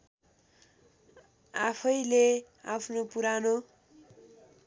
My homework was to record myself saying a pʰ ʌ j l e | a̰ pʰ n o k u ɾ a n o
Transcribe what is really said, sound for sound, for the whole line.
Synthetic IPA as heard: a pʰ ʌ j l e | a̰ pʰ n o p u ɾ a n o

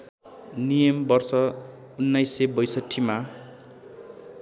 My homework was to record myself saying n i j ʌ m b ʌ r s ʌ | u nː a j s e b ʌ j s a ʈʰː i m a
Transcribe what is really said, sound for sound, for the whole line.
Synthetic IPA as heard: n i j ʌ m b ʌ r s ʌ | u nː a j s e b ʌ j s ʌ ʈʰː i m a

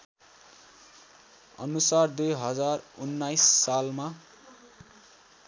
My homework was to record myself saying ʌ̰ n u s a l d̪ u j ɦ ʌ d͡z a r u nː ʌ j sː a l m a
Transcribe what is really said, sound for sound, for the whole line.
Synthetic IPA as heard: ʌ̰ n u s a r d̪ u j ɦ ʌ d͡z a r u nː a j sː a l m a

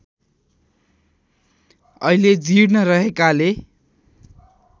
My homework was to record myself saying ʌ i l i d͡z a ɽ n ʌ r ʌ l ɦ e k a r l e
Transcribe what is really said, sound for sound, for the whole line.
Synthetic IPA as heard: ʌ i l e d͡z i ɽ n ʌ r ʌ ɦ e k a l e

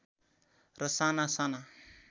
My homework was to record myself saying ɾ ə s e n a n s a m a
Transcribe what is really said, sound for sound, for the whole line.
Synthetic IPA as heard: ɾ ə s a n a s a n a

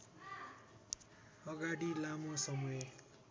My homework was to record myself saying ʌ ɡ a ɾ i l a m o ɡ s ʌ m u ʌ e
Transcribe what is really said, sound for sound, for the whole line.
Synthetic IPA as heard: ʌ ɡ a ɽ i l a m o s ʌ m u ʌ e

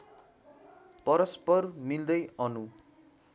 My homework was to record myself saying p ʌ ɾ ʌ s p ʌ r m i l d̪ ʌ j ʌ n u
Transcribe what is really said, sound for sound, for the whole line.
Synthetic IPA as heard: p ʌ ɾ ʌ s p ʌ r m i l d̪ ʌ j ʌ n u

